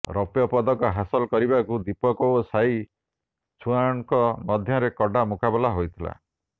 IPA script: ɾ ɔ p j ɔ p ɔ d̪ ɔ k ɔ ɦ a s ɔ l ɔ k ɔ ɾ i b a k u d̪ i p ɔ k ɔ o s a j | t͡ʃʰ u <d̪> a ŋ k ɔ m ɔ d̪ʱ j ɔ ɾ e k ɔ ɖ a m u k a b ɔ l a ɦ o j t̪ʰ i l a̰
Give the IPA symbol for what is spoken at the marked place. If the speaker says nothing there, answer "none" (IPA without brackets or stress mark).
none